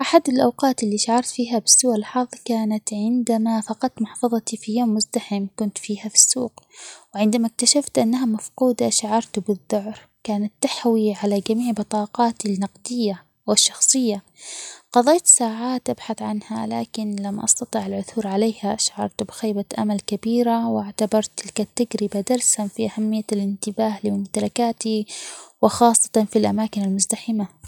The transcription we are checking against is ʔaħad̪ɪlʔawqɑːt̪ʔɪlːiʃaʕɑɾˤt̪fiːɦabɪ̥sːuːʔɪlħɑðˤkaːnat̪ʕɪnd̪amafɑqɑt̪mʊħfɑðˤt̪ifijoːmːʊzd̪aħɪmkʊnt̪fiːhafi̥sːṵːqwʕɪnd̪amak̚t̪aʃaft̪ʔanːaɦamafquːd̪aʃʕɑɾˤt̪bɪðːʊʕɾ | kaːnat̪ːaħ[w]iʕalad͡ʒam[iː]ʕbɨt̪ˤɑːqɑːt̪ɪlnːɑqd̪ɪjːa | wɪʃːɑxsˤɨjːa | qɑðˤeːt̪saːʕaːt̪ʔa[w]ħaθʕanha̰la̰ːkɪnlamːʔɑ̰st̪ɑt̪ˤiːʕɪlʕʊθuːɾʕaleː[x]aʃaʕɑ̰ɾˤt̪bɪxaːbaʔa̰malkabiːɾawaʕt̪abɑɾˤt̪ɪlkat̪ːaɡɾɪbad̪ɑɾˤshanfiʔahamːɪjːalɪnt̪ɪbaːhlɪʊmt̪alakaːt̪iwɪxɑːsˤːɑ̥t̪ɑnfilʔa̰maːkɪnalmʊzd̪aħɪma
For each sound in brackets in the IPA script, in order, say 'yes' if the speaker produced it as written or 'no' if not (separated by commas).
yes, yes, no, no